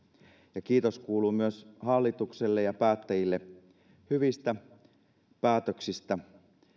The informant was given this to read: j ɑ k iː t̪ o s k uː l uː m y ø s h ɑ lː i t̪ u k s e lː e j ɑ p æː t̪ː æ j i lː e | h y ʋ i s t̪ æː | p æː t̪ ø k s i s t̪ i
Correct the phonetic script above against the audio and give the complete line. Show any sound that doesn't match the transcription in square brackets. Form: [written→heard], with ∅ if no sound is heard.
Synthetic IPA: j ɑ k iː t̪ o s k uː l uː m y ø s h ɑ lː i t̪ u k s e lː e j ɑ p æː t̪ː æ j i lː e | h y ʋ i s t̪ [æː→æ] | p æː t̪ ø k s i s t̪ [i→æ]